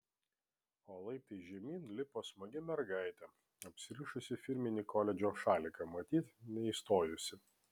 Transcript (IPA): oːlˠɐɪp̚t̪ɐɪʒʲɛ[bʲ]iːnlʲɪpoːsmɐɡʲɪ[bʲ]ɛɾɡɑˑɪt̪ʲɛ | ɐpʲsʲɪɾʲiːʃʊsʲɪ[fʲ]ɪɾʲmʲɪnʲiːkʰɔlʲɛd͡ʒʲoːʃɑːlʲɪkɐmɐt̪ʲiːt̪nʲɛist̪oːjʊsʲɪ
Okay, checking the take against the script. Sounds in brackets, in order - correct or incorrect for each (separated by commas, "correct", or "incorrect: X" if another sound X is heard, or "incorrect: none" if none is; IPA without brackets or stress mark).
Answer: incorrect: mʲ, incorrect: mʲ, correct